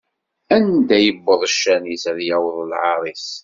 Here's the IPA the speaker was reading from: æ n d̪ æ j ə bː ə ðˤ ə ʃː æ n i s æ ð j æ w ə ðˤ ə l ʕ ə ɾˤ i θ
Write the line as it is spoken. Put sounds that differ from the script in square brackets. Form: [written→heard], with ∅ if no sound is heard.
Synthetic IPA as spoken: æ n d̪ æ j ə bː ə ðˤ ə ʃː æ n i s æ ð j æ w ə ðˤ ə l ʕ [ə→ɑ] ɾˤ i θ